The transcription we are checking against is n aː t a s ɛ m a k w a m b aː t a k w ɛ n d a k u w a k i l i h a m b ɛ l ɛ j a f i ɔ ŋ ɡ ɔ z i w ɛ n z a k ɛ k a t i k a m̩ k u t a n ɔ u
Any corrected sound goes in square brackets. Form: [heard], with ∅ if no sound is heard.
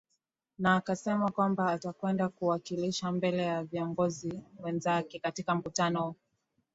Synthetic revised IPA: n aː [k] a s ɛ m a k w a m b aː t a k w ɛ n d a k u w a k i l i [ʃ] a m b ɛ l ɛ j a [v] i ɔ ŋ ɡ ɔ z i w ɛ n z a k ɛ k a t i k a m̩ k u t a n ɔ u

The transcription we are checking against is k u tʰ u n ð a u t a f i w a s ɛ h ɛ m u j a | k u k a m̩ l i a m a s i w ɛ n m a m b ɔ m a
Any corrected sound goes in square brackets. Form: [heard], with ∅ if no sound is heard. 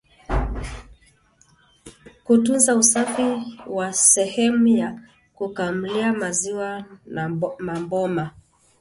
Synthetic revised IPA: k u [t] u n [z] a u [s] a f i w a s ɛ h ɛ m u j a | k u k a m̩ l i a m a [z] i w [a] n m a m b ɔ m a

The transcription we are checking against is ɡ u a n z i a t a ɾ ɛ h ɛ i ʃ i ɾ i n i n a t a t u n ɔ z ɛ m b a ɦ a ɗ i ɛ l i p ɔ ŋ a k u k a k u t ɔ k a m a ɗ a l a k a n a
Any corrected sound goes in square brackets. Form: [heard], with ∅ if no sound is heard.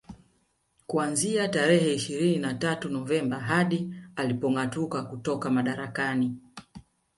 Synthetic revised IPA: [k] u a n z i a t a ɾ ɛ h ɛ i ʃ i ɾ i n i n a t a t u n ɔ [v] ɛ m b a ɦ a ɗ i [a] l i p ɔ ŋ a [t] u k a k u t ɔ k a m a ɗ a [ɾ] a k a n [i]

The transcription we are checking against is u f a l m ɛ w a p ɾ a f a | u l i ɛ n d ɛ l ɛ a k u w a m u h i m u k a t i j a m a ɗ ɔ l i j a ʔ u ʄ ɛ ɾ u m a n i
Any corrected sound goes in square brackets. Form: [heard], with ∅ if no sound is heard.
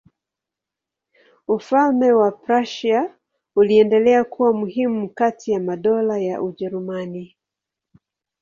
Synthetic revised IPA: u f a l m ɛ w a p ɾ a [ʃ] a | u l i ɛ n d ɛ l ɛ a k u w a m u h i m u k a t i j a m a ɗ ɔ l [a] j a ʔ u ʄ ɛ ɾ u m a n i

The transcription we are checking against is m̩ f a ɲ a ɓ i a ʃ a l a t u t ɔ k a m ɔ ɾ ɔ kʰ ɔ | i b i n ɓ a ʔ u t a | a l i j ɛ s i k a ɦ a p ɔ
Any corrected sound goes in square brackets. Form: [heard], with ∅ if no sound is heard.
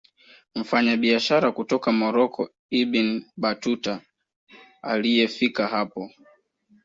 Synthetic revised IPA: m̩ f a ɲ a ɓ i a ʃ a [ɾ] a [k] u t ɔ k a m ɔ ɾ ɔ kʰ ɔ | i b i n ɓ a [t] u t a | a l i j ɛ [f] i k a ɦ a p ɔ

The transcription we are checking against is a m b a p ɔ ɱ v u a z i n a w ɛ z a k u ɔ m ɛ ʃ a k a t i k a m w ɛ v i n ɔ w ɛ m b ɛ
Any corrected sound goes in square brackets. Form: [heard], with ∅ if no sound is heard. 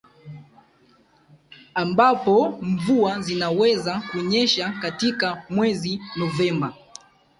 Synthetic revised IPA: a m b a p ɔ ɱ v u a z i n a w ɛ z a k u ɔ [ɲ] ɛ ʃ a k a t i k a m w ɛ [z] i n ɔ [v] ɛ m b [a]

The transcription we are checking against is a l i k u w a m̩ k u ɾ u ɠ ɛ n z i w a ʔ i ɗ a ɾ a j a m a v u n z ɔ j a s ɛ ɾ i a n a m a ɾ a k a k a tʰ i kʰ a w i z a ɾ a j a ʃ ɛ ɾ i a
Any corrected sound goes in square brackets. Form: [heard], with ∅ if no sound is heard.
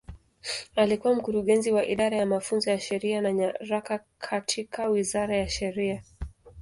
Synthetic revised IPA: a l i k u w a m̩ k u ɾ u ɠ ɛ n z i w a ʔ i ɗ a ɾ a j a m a [f] u n z ɔ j a [ʃ] ɛ ɾ i a n a [ɲ] a ɾ a k a [kʰ] a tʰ i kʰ a w i z a ɾ a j a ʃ ɛ ɾ i a

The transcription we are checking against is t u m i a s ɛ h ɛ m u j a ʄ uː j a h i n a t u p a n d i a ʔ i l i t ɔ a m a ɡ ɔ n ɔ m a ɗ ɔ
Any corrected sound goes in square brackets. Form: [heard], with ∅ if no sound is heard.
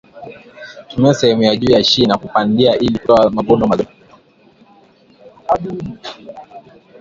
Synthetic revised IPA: t u m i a s ɛ h ɛ m u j a ʄ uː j a [ʃ] i n a [k] u p a n d i a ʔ i l i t ɔ a m a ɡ ɔ n ɔ m a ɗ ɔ

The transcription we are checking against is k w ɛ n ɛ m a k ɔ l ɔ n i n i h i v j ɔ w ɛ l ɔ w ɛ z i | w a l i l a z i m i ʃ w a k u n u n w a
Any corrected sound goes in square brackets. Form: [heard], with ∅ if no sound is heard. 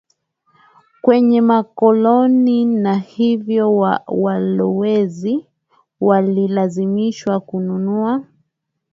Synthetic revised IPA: k w ɛ [ɲ] ɛ m a k ɔ l ɔ n i n [a] h i v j ɔ w [a] l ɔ w ɛ z i | w a l i l a z i m i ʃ w a k u n u n [u] a

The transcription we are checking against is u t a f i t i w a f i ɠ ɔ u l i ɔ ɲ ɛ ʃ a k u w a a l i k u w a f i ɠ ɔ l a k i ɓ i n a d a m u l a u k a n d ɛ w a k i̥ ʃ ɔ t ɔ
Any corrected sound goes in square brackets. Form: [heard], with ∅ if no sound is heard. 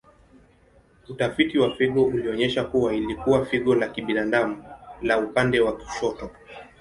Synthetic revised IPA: u t a f i t i w a f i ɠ ɔ u l i ɔ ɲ ɛ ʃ a k u w a [i] l i k u w a f i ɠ ɔ l a k i ɓ i n a d a m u l a u [p] a n d ɛ w a k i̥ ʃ ɔ t ɔ

